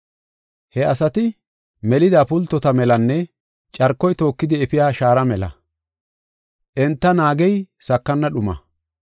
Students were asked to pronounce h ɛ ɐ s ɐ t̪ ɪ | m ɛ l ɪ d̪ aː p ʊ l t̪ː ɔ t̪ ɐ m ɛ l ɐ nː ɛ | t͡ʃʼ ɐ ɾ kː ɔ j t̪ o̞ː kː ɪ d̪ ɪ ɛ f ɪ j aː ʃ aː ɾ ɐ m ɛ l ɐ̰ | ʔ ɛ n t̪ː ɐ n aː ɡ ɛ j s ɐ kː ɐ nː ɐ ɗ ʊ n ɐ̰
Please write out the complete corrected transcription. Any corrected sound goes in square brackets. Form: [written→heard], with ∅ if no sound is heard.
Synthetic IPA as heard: h ɛ ɐ s ɐ t̪ ɪ | m ɛ l ɪ d̪ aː p ʊ l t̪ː ɔ t̪ ɐ m ɛ l ɐ nː ɛ | t͡ʃʼ ɐ ɾ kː ɔ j t̪ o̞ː kː ɪ d̪ ɪ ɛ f ɪ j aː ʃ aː ɾ ɐ m ɛ l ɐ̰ | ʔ ɛ n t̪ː ɐ n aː ɡ ɛ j s ɐ kː ɐ nː ɐ ɗ ʊ [n→m] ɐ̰